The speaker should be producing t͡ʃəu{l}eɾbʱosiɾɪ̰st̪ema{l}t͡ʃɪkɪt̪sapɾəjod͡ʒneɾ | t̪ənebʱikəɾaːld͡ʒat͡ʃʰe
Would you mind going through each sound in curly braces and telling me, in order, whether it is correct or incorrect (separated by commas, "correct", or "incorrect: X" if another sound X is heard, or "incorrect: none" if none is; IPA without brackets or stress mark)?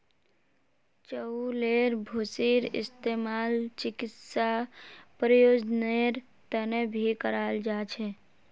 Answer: correct, correct